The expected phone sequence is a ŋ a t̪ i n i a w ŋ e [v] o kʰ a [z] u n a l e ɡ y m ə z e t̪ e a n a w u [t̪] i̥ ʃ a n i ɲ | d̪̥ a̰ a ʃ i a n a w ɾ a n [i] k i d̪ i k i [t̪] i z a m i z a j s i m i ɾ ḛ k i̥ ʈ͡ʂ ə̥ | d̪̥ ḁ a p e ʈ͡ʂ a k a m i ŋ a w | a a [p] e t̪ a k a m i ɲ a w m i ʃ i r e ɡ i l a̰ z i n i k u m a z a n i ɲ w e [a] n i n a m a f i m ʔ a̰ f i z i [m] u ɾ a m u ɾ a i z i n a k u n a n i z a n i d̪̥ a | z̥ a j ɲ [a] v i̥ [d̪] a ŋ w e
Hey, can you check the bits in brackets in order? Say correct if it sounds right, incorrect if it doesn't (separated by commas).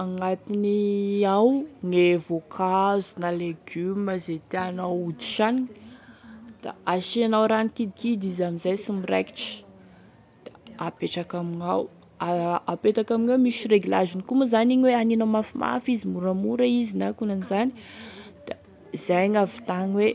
correct, correct, incorrect, correct, incorrect, correct, correct, correct, correct, incorrect